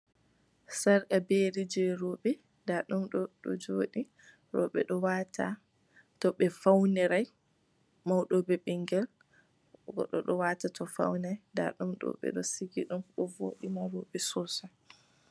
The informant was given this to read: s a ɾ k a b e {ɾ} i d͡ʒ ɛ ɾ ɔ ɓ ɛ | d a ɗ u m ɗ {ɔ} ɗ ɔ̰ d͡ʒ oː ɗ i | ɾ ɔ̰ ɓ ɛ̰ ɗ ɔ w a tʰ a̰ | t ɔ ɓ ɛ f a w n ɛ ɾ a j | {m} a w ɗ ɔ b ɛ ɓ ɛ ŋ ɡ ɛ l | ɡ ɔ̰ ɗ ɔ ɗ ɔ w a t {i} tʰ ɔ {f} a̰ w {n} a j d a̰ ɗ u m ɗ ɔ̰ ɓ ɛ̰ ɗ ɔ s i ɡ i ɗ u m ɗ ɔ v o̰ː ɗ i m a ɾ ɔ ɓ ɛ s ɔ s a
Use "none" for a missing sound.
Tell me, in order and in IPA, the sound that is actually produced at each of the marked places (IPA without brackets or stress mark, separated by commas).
ɾ, ɔ, m, a, f, n